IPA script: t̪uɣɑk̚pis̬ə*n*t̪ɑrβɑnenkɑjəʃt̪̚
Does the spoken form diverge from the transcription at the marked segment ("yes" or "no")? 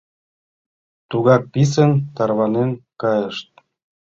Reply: no